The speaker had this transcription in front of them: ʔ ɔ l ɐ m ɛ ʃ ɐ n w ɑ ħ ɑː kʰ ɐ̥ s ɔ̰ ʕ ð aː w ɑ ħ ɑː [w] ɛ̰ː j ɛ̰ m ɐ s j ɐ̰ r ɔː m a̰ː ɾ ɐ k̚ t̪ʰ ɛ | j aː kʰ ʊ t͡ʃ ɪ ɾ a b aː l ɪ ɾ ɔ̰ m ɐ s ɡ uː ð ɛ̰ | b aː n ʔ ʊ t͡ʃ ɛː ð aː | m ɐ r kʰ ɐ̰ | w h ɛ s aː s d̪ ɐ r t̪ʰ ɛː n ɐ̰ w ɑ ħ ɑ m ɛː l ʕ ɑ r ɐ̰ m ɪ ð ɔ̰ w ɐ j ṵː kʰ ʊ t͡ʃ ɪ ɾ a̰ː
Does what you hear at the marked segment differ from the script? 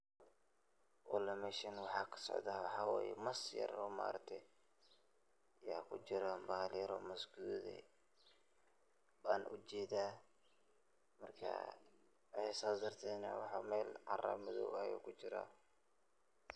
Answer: no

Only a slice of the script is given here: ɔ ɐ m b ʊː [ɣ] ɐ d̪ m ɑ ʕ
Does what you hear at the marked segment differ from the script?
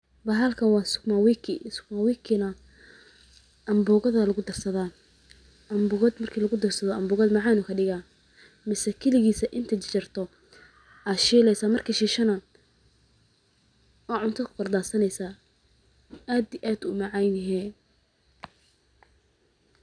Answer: no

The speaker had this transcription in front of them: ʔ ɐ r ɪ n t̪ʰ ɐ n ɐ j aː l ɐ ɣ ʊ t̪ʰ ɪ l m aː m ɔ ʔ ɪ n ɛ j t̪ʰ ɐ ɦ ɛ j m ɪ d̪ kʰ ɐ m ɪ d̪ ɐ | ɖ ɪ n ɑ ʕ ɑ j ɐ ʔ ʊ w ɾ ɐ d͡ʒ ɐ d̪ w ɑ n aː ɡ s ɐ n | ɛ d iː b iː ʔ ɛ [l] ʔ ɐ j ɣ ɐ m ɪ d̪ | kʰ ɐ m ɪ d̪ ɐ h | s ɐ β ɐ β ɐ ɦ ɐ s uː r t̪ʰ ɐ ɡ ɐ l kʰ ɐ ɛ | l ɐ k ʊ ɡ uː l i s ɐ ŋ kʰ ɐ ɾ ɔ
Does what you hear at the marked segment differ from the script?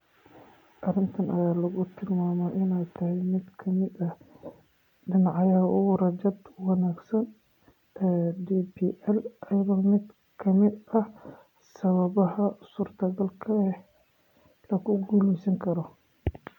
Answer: no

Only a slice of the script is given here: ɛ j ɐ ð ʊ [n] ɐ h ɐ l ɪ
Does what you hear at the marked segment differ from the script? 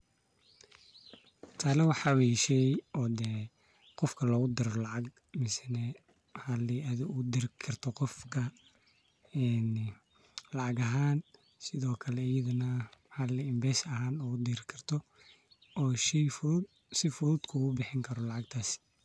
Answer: no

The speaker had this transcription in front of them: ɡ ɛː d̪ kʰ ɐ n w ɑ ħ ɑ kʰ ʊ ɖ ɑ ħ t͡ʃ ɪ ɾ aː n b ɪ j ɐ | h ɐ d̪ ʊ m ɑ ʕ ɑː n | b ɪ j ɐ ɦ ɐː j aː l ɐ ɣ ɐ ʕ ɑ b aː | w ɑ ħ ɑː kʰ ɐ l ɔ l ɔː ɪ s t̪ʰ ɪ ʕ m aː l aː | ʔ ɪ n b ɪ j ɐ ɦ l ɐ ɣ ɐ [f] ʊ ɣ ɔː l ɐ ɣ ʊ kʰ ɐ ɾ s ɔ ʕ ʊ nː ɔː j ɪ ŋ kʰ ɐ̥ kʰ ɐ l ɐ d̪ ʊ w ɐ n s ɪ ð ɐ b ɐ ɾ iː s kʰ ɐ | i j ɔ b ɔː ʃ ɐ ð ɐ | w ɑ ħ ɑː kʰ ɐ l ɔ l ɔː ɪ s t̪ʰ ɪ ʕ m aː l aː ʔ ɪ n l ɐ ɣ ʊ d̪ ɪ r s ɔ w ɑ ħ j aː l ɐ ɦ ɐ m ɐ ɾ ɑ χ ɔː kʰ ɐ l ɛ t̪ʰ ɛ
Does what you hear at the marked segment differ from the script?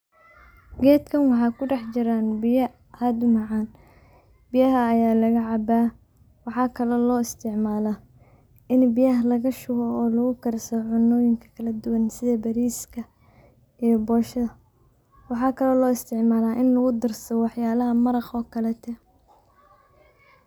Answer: yes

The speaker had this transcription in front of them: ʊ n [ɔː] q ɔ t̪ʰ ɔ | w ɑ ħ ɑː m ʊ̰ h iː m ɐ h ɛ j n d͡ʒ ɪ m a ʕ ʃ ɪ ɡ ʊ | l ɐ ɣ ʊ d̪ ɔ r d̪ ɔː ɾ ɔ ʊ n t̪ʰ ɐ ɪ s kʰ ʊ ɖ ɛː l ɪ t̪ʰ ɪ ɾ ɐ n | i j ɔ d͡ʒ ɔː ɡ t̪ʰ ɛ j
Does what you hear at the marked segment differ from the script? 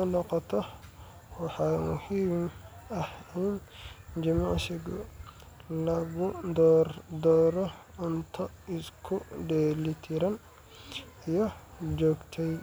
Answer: yes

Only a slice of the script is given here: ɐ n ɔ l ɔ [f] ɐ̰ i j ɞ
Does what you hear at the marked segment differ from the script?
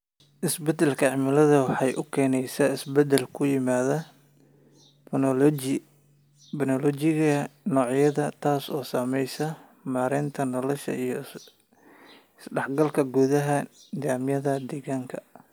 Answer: yes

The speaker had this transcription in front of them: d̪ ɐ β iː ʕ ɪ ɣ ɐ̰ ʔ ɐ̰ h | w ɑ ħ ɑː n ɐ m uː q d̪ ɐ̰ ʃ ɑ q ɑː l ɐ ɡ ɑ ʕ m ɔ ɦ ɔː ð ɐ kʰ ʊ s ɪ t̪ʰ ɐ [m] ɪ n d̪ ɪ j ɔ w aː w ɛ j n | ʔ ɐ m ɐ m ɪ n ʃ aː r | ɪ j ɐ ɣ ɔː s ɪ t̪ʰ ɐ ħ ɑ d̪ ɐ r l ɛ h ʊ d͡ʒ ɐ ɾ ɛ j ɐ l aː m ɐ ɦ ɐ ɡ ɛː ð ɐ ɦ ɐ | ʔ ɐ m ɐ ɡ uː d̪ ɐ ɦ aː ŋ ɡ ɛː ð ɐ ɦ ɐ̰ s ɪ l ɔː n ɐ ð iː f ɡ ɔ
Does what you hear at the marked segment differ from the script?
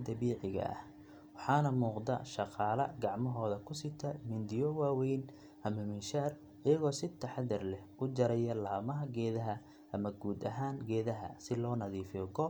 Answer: no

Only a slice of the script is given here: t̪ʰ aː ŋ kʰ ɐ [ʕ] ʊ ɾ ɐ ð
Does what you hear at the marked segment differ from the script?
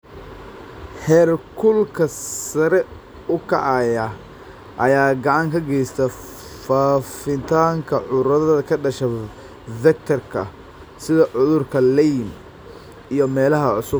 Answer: no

